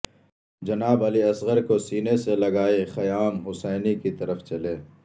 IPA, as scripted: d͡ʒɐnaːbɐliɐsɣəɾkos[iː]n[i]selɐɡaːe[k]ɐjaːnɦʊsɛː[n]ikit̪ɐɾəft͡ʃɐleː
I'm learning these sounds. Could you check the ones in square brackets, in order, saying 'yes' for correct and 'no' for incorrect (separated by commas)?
yes, no, no, yes